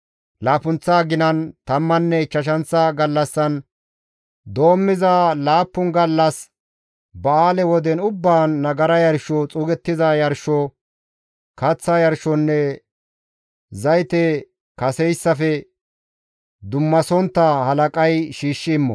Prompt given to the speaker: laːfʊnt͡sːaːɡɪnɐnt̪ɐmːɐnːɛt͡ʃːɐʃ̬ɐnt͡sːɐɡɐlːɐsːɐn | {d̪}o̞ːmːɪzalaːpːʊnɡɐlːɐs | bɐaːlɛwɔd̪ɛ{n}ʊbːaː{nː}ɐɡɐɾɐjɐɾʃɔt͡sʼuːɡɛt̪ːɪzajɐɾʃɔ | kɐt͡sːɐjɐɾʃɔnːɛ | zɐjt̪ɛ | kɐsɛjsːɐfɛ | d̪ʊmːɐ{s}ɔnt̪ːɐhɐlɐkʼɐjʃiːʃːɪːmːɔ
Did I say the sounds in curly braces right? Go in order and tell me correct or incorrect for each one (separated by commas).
correct, correct, correct, correct